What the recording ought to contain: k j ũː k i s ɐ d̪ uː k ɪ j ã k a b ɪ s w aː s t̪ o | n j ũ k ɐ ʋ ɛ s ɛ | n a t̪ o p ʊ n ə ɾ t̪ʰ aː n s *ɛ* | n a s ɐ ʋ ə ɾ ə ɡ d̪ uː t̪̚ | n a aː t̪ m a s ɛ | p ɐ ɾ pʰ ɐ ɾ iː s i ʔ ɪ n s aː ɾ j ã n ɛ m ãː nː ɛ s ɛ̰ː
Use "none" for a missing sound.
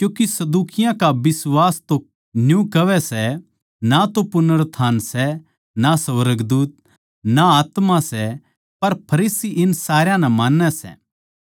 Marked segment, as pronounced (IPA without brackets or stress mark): ɛ